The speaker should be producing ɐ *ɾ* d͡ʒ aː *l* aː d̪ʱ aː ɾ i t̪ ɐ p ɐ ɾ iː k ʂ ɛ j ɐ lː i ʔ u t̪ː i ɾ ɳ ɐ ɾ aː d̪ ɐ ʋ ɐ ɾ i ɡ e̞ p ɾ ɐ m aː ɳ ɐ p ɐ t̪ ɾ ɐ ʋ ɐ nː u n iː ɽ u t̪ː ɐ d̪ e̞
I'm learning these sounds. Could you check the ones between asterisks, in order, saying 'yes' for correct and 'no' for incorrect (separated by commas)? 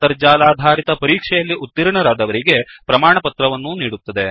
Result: yes, yes